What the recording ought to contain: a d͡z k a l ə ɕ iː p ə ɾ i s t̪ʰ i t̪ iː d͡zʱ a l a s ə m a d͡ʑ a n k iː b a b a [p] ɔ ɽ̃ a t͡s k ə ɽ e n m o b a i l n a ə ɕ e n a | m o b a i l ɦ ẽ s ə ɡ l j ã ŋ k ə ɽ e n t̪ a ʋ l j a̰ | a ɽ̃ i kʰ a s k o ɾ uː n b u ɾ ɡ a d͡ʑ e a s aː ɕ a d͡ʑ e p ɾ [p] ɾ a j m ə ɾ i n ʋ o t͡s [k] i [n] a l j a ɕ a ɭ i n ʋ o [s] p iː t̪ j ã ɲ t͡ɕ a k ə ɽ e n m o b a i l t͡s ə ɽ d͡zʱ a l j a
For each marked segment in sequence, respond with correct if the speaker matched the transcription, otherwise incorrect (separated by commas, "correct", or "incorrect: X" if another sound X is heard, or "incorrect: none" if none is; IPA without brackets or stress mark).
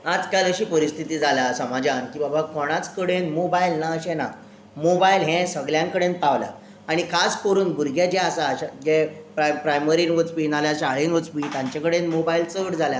incorrect: k, correct, incorrect: p, correct, incorrect: t͡s